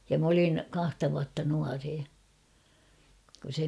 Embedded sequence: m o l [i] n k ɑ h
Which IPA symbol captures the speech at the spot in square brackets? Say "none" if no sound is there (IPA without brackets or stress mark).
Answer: i